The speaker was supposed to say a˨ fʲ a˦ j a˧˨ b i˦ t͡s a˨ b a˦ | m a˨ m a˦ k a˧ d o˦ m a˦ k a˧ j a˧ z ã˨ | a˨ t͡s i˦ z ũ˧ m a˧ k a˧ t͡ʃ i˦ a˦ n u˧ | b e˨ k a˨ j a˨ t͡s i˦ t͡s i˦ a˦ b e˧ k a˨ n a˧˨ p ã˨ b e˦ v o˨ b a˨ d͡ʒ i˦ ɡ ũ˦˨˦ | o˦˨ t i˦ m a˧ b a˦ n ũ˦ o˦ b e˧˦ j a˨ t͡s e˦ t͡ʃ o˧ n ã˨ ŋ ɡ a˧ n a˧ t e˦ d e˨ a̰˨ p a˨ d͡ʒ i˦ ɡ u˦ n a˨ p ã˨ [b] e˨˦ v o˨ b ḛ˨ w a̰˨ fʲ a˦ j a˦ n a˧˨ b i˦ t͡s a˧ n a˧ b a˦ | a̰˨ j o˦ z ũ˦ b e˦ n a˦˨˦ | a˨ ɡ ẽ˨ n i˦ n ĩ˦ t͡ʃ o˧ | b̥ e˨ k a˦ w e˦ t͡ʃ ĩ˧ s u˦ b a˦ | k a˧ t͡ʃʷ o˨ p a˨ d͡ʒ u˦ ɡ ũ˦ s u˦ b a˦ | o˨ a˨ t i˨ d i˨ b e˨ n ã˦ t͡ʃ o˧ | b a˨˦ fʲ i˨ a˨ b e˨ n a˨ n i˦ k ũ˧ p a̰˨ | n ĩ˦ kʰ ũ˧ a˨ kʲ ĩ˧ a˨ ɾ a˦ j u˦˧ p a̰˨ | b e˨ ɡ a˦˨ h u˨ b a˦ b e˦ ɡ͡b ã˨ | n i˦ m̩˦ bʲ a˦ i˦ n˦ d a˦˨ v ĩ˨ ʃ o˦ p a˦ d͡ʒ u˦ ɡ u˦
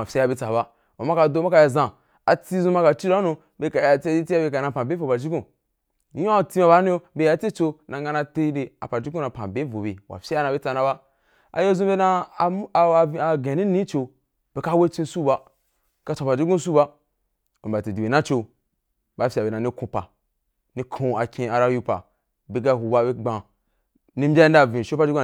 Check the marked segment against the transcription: correct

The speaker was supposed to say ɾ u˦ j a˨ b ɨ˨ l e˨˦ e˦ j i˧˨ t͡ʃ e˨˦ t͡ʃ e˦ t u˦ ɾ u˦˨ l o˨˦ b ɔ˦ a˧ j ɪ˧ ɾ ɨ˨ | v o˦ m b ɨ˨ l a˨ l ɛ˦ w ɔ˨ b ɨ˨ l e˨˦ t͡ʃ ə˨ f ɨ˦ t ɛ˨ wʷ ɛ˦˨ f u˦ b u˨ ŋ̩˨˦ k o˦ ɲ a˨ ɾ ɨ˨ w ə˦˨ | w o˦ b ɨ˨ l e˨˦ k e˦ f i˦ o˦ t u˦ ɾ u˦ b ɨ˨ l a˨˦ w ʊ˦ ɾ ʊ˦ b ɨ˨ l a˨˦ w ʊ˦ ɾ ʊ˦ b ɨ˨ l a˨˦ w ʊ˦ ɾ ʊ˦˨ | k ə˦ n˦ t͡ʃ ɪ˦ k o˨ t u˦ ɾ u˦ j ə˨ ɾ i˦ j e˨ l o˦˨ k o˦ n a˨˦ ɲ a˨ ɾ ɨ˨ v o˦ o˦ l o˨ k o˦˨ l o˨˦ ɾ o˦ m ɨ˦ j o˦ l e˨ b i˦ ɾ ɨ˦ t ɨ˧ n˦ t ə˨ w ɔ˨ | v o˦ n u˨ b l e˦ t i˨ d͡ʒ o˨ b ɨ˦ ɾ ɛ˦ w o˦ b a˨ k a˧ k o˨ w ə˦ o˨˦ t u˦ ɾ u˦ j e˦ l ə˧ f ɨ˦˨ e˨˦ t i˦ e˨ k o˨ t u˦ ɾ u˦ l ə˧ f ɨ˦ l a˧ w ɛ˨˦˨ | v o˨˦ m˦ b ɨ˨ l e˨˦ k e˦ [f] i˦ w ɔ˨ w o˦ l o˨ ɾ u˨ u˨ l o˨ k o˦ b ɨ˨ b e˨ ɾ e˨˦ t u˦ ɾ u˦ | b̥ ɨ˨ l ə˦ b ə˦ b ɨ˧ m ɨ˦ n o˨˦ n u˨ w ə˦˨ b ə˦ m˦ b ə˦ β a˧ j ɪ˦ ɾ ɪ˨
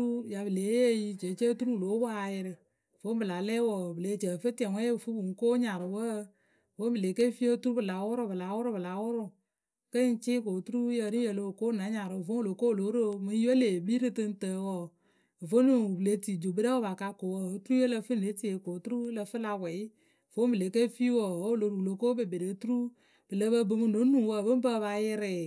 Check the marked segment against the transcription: correct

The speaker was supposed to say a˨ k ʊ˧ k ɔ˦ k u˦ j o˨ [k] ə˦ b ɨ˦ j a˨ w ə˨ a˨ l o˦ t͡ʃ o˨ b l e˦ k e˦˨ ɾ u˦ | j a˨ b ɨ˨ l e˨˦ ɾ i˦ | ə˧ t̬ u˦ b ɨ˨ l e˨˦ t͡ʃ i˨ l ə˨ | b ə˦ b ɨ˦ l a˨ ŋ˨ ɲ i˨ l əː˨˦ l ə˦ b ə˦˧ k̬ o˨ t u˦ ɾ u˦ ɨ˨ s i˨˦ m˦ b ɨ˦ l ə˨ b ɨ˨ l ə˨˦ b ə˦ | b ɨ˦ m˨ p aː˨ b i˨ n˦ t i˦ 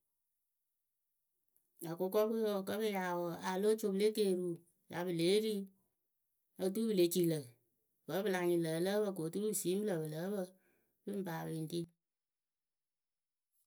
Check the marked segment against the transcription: correct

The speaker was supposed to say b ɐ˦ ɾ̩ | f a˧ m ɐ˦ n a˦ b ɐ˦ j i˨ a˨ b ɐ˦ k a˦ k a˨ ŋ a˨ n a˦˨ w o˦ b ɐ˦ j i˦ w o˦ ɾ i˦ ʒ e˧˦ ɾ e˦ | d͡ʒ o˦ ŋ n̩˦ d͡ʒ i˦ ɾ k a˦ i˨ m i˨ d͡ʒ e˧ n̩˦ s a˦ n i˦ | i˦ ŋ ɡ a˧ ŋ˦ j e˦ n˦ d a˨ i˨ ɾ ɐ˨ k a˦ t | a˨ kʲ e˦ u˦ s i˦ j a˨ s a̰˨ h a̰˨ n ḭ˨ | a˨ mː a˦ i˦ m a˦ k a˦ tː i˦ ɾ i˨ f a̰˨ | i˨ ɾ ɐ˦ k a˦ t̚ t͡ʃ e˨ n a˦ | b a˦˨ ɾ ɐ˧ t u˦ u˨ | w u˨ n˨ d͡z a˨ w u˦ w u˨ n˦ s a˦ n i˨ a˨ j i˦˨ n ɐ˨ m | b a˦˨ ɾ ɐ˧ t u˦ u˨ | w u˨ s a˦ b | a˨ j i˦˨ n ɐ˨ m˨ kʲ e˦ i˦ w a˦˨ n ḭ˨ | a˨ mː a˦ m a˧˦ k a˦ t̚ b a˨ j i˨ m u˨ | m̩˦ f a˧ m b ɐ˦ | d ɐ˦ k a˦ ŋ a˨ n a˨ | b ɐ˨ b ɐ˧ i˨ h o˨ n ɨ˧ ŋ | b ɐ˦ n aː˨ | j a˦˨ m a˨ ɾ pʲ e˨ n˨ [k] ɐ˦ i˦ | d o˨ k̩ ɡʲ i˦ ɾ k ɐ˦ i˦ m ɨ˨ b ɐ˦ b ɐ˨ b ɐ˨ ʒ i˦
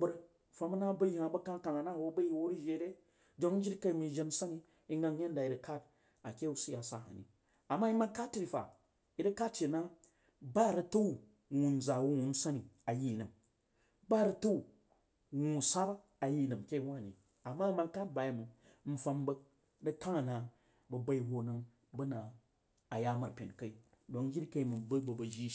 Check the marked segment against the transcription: correct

